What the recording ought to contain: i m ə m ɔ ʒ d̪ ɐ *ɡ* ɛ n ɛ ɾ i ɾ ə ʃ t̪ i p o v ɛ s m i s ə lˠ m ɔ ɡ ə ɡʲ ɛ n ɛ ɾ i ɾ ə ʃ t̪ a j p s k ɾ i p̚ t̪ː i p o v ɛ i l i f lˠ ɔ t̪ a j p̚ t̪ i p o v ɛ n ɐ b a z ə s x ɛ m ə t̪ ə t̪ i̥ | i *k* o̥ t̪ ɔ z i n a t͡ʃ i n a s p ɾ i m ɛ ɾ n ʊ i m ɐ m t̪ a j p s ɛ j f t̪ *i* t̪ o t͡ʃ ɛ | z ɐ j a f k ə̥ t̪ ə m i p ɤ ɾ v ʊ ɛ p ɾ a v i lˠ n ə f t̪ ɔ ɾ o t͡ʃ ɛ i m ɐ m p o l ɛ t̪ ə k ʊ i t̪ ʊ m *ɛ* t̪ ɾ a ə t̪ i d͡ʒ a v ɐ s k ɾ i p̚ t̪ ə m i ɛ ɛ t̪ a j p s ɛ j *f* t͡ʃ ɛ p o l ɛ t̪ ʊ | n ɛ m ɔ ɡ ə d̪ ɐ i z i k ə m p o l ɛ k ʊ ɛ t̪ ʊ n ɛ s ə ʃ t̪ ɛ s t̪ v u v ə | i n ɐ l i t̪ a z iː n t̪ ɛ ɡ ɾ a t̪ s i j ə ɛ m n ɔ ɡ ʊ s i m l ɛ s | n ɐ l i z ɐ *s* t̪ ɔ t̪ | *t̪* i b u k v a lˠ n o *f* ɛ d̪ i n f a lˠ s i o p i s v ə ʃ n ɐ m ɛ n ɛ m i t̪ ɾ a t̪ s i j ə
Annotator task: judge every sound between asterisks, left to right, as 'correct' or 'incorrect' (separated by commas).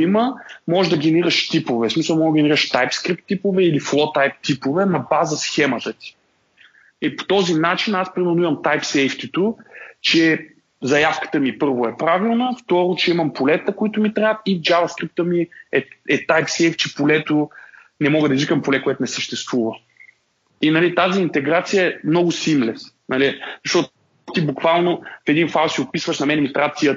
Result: correct, incorrect, correct, incorrect, correct, incorrect, correct, correct